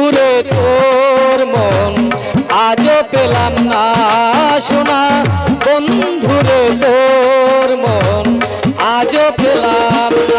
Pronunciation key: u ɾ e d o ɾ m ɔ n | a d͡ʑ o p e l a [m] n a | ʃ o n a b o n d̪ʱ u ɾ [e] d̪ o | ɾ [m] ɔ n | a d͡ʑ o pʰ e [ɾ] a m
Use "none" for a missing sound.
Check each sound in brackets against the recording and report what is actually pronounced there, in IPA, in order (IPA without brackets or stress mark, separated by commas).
m, e, m, l